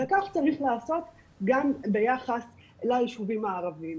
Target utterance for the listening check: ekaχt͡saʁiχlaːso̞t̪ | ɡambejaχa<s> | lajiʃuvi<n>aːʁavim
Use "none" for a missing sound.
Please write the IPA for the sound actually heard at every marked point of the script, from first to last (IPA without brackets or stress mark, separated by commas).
s, m